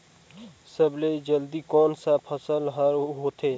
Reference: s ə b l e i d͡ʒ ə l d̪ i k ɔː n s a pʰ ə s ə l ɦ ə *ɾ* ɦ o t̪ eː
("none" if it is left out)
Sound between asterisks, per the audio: ɾ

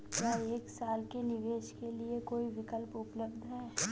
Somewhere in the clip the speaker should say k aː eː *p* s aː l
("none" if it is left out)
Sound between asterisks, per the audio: k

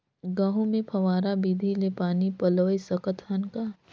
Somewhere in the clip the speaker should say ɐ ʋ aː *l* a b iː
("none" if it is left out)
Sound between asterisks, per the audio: ɾ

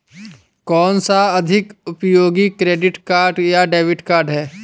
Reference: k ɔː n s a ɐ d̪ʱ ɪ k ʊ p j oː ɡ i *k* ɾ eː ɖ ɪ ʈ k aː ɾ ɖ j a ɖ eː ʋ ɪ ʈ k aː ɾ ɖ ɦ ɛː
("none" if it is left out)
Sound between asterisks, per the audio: k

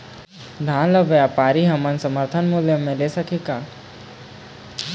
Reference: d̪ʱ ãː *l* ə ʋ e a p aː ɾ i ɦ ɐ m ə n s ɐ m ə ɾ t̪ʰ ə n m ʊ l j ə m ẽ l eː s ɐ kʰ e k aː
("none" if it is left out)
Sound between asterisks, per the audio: l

